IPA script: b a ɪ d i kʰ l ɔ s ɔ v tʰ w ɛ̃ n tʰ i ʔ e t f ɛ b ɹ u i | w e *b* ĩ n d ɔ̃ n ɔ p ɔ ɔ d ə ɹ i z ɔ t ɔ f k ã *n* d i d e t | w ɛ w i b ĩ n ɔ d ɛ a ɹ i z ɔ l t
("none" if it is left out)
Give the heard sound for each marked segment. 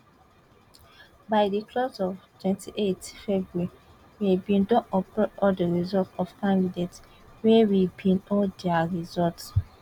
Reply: b, n

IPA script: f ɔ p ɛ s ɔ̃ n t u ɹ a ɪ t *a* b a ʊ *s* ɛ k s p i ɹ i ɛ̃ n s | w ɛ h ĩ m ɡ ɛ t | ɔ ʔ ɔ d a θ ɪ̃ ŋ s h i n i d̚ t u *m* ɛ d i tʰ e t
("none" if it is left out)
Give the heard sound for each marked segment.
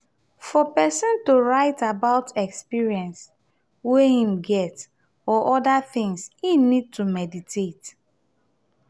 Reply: a, t, m

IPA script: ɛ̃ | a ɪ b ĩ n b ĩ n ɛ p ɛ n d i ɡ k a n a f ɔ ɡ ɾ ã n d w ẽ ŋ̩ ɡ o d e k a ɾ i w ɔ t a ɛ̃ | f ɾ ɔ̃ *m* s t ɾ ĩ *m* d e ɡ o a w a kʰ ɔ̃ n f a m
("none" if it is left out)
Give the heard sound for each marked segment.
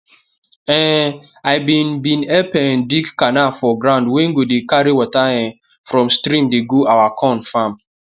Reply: m, m

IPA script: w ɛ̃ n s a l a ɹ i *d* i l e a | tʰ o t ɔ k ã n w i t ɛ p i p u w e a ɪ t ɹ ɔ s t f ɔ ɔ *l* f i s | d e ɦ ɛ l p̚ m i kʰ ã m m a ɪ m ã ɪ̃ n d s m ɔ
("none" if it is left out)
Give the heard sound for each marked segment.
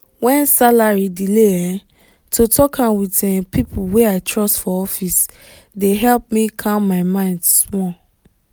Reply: d, none

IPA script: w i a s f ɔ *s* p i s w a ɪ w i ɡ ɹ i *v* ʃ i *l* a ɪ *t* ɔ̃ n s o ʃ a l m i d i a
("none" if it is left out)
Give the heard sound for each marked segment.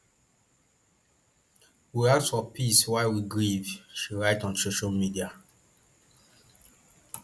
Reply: none, v, ɹ, t

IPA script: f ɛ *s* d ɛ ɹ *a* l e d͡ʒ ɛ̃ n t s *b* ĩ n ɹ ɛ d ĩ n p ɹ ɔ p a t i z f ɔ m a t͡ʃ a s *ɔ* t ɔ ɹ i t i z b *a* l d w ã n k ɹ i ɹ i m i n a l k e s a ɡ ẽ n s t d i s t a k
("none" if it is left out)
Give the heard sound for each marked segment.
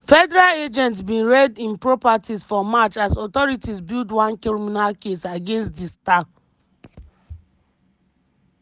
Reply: none, a, b, ɔ, i

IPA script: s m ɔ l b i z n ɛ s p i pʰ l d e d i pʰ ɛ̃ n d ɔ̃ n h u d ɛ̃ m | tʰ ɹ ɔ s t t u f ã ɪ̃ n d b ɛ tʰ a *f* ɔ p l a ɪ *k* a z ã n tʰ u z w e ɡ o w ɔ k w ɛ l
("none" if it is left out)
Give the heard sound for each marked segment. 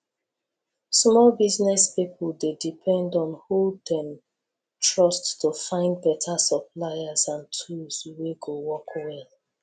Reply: s, none

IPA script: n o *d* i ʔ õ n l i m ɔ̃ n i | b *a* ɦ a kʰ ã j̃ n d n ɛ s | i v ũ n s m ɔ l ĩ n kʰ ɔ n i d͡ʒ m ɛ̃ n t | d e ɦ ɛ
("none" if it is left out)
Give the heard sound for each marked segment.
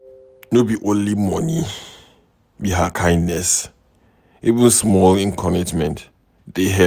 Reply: b, i

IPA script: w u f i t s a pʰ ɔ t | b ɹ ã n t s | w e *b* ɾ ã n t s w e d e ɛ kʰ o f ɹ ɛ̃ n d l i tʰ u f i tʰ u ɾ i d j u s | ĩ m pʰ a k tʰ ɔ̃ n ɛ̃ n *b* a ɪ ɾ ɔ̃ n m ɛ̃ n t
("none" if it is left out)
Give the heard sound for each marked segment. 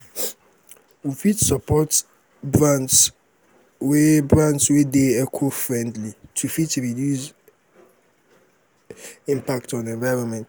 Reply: b, v

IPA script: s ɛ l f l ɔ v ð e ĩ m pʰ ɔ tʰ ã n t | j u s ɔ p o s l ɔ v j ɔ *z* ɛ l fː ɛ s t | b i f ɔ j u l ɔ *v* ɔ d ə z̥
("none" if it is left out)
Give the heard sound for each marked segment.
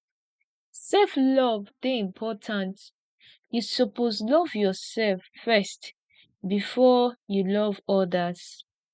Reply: s, v

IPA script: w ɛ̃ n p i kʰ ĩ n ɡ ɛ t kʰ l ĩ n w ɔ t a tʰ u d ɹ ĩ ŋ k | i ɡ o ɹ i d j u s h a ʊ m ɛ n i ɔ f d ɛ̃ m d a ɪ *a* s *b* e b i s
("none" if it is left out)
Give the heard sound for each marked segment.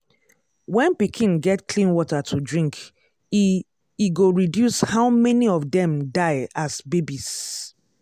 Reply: a, b

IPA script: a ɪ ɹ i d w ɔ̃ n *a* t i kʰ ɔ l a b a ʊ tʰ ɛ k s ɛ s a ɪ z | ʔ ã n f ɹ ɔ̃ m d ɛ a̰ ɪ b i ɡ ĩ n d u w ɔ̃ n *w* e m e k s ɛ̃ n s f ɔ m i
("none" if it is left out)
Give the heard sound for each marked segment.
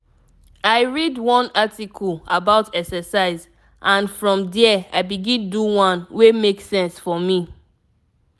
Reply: a, w

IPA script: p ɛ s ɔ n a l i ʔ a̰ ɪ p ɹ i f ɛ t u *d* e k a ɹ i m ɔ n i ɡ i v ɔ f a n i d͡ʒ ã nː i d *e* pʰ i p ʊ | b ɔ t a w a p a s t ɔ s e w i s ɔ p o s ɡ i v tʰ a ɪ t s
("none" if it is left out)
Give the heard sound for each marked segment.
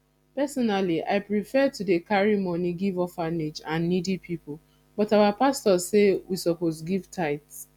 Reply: d, i

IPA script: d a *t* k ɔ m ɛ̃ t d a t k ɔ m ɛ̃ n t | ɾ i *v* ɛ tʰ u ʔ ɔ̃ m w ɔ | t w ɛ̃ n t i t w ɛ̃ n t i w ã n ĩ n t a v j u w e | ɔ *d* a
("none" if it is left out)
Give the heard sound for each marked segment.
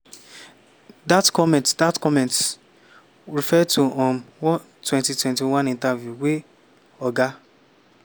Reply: t, f, ɡ

